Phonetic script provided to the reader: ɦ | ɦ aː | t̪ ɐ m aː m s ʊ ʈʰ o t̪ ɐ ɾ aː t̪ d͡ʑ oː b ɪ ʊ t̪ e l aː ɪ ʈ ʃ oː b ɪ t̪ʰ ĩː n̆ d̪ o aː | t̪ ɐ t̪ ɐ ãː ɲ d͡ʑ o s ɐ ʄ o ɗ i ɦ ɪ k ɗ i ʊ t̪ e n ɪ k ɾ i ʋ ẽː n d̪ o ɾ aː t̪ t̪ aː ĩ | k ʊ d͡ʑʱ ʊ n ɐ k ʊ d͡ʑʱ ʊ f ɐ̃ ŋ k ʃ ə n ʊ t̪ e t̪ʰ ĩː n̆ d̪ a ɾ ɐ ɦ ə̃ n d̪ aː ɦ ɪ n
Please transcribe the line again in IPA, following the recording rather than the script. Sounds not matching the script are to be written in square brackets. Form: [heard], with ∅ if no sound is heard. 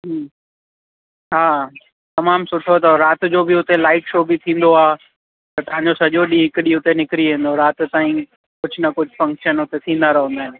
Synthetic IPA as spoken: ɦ | ɦ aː | t̪ ɐ m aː m s ʊ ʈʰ o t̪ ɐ ɾ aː t̪ d͡ʑ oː b ɪ ʊ t̪ e l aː ɪ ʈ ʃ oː b ɪ t̪ʰ ĩː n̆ d̪ o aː | t̪ ɐ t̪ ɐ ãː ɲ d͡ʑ o s ɐ ʄ o ɗ i ɦ ɪ k ɗ i ʊ t̪ e n ɪ k ɾ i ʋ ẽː n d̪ o ɾ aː t̪ t̪ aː ĩ | k ʊ d͡ʑʱ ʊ n ɐ k ʊ d͡ʑʱ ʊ f ɐ̃ ŋ k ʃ ə n ʊ t̪ e t̪ʰ ĩː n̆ d̪ a ɾ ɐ ɦ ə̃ n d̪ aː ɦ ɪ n